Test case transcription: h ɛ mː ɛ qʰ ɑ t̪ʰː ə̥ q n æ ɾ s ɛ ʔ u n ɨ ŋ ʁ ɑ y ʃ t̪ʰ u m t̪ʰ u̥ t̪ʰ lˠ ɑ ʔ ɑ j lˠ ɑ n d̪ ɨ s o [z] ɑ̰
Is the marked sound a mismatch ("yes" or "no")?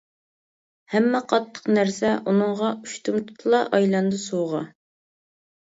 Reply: yes